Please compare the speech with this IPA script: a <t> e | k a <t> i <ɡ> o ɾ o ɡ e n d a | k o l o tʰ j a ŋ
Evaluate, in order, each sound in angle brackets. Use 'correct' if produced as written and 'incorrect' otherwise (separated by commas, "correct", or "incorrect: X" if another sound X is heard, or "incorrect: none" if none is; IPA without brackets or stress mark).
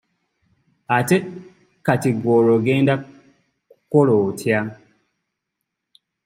correct, correct, correct